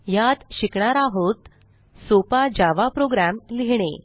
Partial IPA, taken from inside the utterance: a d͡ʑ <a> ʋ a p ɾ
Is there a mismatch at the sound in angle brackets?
no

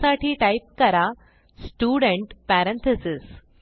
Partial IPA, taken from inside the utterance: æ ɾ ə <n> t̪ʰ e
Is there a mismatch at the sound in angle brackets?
no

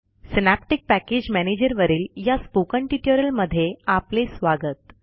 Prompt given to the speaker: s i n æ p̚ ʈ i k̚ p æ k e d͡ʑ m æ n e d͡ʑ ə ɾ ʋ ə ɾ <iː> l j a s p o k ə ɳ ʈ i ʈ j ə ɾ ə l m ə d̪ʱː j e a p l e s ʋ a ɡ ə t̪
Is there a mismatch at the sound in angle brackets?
no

